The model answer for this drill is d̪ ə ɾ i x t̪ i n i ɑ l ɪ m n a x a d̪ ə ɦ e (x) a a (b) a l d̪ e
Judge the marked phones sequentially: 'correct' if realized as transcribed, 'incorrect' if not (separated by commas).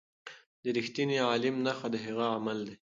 incorrect, incorrect